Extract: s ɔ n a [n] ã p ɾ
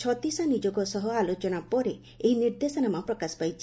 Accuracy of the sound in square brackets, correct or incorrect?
incorrect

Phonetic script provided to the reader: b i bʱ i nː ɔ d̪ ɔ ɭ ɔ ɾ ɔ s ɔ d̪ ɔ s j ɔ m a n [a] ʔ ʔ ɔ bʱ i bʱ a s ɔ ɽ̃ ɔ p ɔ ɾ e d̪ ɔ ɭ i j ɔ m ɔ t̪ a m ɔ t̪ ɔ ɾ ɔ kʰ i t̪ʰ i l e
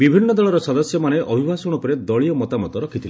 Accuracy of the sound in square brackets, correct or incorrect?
incorrect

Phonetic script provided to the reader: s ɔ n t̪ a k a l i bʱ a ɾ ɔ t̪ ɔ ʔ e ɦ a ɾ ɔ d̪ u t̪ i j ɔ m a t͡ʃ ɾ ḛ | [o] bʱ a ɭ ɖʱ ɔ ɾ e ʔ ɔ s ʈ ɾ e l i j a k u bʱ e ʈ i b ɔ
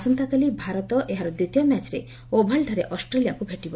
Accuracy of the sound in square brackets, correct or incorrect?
correct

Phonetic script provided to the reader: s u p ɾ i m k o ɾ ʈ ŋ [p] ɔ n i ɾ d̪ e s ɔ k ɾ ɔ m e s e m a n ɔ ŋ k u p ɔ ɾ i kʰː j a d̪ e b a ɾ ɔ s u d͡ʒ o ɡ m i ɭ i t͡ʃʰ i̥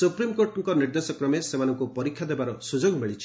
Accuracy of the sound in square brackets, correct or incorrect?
incorrect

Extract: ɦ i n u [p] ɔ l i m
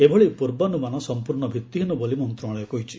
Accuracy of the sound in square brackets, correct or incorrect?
incorrect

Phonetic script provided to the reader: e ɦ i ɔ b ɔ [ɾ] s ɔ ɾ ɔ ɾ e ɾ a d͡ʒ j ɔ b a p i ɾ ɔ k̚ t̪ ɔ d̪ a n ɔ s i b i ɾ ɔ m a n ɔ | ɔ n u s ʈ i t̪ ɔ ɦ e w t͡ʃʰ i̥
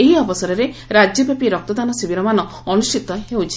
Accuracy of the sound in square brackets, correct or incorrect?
incorrect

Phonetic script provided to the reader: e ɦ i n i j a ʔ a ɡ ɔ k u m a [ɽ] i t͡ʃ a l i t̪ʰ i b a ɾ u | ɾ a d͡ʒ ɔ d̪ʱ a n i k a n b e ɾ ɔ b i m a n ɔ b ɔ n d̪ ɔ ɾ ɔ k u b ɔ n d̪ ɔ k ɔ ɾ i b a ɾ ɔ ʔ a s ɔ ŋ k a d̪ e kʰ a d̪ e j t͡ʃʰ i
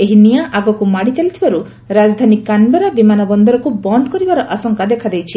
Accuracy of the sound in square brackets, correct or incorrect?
correct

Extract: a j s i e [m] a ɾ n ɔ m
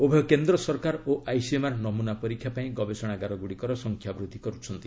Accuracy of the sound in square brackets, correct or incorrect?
correct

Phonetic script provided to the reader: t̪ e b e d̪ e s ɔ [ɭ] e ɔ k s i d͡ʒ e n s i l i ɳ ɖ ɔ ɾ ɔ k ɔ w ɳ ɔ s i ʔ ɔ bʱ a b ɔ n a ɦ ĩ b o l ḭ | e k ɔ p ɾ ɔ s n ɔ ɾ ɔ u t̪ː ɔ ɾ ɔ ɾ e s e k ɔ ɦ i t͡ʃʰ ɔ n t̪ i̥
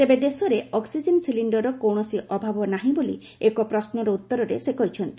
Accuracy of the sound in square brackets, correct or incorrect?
incorrect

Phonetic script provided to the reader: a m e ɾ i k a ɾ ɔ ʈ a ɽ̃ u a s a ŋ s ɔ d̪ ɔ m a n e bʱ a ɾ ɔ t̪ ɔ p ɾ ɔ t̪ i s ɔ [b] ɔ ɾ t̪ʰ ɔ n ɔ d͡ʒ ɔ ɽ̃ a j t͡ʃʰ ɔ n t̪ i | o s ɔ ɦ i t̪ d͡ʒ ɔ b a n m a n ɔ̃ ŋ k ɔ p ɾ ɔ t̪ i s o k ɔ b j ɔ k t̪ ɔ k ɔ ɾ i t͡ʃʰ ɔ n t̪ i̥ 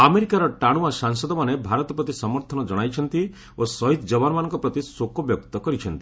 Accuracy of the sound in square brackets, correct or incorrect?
incorrect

